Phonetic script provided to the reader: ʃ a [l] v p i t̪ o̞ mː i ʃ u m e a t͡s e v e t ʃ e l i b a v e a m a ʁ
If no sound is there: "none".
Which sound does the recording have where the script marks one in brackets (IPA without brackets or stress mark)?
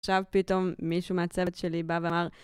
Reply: none